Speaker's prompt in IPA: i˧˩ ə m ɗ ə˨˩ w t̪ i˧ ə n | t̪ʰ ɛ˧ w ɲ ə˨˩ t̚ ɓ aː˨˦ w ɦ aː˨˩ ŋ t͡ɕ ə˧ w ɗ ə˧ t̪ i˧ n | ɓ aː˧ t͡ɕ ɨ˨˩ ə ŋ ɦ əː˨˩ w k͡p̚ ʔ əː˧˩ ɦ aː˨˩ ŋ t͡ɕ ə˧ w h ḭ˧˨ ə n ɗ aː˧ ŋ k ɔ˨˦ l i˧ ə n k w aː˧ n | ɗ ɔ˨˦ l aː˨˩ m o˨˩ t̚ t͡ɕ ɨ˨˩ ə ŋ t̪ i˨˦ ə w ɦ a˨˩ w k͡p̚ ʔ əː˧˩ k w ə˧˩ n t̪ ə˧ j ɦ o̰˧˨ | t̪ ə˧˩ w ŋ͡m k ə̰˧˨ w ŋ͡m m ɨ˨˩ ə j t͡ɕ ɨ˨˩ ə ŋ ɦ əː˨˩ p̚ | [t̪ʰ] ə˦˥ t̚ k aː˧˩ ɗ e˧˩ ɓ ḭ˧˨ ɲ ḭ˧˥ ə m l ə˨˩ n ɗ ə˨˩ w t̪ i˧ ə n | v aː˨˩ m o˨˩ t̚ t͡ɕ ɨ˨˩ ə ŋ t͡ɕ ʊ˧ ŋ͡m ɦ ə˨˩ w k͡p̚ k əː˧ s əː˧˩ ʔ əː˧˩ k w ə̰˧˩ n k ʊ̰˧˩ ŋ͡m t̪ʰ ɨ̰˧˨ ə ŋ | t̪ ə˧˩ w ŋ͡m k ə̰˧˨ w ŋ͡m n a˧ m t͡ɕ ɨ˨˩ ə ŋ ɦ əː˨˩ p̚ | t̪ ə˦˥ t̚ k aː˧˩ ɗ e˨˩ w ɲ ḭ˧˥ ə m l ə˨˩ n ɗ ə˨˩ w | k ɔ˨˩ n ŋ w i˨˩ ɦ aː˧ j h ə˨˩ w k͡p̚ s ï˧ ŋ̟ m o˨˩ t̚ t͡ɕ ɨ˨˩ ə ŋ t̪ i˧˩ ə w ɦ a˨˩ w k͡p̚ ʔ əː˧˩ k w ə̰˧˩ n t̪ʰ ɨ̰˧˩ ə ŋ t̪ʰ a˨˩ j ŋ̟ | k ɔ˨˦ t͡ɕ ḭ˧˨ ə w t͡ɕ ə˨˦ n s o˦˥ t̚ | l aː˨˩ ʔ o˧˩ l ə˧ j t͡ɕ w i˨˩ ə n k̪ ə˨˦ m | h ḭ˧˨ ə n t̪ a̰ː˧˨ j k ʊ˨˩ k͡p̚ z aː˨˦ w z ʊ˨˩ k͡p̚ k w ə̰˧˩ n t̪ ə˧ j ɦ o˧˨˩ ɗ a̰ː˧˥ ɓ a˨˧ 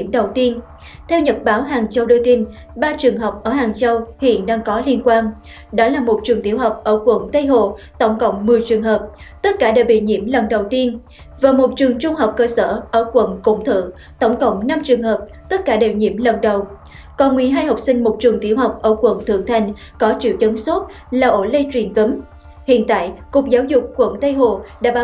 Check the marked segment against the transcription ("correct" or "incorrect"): incorrect